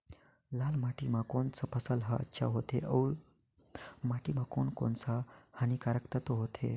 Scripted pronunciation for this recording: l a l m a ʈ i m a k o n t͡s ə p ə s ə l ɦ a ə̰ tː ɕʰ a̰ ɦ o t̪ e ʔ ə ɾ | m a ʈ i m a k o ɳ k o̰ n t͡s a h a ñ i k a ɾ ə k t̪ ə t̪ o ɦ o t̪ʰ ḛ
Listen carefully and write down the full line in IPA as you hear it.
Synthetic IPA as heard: l a l m a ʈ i m a k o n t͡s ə p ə s ə l ɦ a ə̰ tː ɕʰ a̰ ɦ o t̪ e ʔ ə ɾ | m a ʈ i m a k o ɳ k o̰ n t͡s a h a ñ i k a ɾ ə k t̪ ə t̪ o ɦ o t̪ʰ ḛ